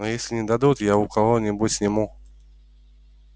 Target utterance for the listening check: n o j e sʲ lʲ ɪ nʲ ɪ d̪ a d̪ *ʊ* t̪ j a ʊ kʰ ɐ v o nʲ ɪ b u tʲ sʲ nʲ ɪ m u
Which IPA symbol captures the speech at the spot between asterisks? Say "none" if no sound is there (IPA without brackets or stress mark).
u